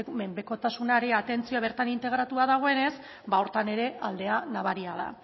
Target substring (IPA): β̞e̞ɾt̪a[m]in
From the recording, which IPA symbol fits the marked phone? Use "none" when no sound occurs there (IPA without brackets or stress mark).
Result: n